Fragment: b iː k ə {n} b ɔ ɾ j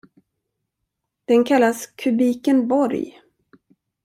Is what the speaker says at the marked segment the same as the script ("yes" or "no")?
yes